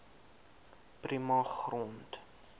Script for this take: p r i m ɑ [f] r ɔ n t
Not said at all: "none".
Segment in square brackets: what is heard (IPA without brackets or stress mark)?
χ